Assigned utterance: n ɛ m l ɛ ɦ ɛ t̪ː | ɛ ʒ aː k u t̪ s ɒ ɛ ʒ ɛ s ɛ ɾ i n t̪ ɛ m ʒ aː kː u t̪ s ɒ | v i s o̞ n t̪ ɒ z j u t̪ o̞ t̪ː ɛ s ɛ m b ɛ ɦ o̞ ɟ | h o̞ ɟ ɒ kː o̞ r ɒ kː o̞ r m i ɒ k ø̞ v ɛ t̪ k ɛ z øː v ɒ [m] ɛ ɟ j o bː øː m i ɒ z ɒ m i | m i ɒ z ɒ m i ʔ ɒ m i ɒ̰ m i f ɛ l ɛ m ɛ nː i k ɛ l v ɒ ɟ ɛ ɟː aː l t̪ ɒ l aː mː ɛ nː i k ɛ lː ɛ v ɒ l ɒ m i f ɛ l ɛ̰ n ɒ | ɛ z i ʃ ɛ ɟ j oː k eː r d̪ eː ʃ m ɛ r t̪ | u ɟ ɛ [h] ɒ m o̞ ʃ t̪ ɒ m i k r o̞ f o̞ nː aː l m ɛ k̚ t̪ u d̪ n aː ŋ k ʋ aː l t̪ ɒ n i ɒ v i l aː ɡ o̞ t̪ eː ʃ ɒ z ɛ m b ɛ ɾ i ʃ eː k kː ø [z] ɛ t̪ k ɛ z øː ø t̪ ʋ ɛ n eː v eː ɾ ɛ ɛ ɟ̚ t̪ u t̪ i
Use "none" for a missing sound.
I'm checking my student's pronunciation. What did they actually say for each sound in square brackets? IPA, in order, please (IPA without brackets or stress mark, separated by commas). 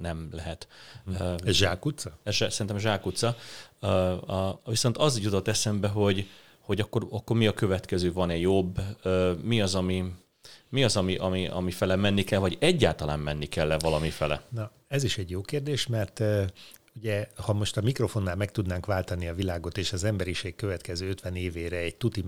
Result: n, h, v